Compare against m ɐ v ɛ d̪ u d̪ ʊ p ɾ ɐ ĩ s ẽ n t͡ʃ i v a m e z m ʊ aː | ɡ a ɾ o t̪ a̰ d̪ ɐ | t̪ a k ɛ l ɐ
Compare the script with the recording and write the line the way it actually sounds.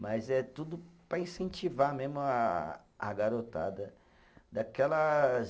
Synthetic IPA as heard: m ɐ z ɛ t̪ u d̪ ʊ p ɾ ɐ ĩ s ẽ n t͡ʃ i v a m e z m ʊ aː | ɡ a ɾ o t̪ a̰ d̪ ɐ | d̪ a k ɛ l ɐ